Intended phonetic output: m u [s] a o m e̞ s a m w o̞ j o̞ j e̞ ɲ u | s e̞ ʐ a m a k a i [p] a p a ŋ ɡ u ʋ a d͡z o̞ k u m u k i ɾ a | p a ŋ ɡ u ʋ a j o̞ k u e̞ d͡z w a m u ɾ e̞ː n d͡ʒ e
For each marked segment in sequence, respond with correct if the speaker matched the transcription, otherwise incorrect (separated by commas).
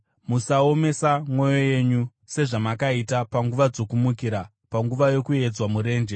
correct, incorrect